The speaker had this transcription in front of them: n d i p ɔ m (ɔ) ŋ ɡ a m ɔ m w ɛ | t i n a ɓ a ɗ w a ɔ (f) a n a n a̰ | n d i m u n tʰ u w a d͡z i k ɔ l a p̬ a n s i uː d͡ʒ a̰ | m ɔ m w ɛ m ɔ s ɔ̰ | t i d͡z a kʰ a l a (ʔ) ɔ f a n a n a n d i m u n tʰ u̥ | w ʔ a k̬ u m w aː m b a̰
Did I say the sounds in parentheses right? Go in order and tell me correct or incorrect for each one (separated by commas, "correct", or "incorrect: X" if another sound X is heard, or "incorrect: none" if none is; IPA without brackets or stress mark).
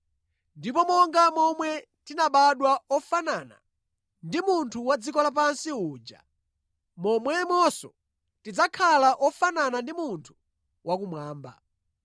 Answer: correct, correct, correct